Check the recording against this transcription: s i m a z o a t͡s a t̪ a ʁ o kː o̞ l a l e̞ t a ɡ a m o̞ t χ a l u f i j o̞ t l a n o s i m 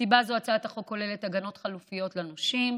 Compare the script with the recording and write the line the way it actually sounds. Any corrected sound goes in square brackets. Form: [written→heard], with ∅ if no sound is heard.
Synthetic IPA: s i [m→b] a z o a t͡s a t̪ a [ʁ→χ] o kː o̞ l [a→e] l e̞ t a ɡ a [m→n] o̞ t χ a l u f i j o̞ t l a n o [s→ʃ] i m